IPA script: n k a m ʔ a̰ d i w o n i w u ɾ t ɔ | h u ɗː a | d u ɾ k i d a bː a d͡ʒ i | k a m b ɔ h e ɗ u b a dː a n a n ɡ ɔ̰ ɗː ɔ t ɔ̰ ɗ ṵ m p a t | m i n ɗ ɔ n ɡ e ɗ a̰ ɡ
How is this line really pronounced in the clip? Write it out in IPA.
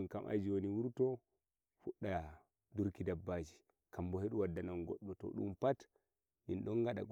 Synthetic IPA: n k a m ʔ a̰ d͡ʒ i w o n i w u ɾ t ɔ | f u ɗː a | d u ɾ k i d a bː a d͡ʒ i | k a m b ɔ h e ɗ u w a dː a n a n ɡ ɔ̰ ɗː ɔ t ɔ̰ ɗ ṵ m p a t | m i n ɗ ɔ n ɡ a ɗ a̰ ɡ